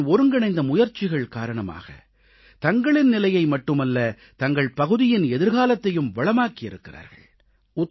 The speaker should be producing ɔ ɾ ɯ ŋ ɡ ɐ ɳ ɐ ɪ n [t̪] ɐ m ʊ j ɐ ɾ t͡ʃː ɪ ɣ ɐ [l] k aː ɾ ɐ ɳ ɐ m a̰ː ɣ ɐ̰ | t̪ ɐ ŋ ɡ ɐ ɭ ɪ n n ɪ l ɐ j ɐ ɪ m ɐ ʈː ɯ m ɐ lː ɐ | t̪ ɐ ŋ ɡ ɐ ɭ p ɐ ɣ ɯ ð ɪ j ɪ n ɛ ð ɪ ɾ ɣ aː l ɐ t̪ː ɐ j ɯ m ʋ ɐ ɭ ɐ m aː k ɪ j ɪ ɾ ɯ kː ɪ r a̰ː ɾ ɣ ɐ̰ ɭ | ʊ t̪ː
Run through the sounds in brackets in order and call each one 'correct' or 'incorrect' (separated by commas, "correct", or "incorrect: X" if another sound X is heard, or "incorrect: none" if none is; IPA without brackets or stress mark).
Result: incorrect: d̪, incorrect: ɭ